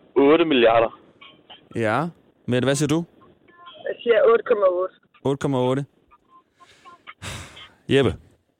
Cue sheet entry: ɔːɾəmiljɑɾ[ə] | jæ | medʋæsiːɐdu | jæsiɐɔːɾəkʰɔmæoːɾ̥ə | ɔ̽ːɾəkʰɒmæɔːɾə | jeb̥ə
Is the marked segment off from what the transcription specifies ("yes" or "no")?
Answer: yes